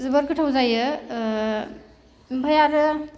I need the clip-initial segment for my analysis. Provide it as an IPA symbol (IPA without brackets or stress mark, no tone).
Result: z